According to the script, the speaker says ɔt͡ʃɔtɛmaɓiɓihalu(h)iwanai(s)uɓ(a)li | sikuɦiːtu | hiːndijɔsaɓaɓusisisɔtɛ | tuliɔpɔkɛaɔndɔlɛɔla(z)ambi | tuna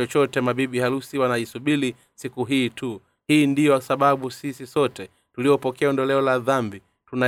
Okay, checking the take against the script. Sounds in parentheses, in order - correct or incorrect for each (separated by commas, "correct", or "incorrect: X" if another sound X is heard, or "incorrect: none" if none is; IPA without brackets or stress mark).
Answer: incorrect: s, correct, incorrect: i, incorrect: ð